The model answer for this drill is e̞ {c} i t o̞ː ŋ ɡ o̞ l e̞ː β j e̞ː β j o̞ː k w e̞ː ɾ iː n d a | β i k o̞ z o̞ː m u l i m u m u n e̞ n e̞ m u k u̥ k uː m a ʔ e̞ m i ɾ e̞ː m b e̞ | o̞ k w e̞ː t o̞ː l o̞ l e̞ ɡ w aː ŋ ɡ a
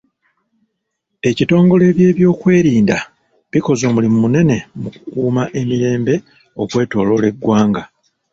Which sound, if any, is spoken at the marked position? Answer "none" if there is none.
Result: c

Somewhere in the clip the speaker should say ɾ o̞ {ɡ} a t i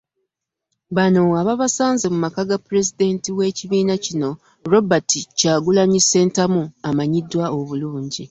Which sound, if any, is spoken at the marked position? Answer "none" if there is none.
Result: b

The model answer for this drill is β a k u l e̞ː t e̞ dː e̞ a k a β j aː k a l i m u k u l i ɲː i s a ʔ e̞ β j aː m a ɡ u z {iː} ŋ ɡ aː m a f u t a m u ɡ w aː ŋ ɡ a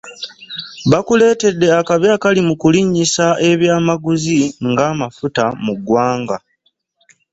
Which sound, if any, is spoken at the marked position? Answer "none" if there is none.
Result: i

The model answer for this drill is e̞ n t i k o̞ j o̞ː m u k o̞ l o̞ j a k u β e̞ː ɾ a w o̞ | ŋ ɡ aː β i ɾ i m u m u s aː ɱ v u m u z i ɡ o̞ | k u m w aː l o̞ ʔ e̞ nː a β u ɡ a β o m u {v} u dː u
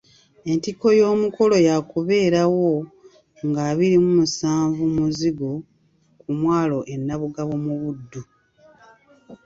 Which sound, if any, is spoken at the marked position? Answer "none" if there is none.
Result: β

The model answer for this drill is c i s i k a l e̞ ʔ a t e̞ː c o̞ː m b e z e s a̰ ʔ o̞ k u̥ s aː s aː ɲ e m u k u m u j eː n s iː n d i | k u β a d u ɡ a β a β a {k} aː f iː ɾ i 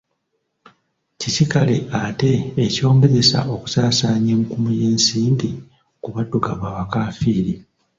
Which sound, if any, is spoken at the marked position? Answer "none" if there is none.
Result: k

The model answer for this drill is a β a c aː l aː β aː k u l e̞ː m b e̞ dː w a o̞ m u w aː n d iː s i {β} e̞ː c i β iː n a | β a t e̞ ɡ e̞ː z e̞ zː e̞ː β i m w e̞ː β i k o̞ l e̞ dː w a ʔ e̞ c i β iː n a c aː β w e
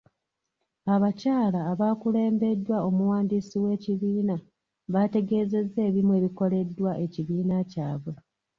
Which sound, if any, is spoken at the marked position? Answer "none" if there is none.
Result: w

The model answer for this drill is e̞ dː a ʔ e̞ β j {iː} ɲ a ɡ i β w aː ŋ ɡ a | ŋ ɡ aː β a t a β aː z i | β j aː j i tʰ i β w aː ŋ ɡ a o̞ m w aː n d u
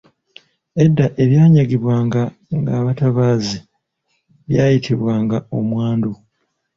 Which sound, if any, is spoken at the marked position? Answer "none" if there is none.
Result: aː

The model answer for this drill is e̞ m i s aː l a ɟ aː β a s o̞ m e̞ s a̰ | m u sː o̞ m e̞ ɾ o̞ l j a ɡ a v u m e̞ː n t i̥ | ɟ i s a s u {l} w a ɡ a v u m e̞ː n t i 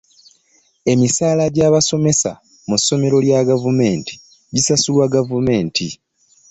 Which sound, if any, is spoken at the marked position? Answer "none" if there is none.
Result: l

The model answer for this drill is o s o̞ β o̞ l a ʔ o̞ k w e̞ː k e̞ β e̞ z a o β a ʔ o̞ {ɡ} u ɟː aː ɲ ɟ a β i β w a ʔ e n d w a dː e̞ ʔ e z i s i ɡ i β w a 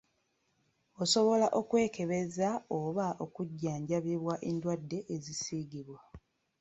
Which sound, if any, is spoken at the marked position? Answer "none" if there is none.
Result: k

